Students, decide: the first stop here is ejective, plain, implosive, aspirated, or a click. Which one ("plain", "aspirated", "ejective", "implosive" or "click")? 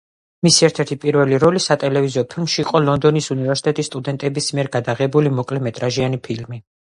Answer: aspirated